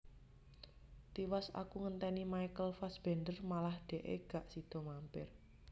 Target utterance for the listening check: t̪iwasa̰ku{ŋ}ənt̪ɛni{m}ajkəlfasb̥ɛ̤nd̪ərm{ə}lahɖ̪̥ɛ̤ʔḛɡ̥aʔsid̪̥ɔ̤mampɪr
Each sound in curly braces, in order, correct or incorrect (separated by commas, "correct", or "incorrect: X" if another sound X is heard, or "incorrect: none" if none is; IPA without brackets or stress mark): correct, correct, incorrect: a